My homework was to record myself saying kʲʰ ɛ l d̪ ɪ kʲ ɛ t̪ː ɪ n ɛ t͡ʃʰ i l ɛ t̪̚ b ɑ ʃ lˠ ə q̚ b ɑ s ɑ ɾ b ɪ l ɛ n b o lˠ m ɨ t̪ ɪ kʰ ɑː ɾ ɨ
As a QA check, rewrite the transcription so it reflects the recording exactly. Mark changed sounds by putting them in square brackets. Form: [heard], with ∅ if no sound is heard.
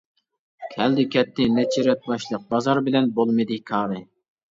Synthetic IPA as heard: kʲʰ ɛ l d̪ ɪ kʲ ɛ t̪ː ɪ n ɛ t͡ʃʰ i [ɾ] ɛ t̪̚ b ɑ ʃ lˠ ə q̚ b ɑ [z] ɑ ɾ b ɪ l ɛ n b o lˠ m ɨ [d̪] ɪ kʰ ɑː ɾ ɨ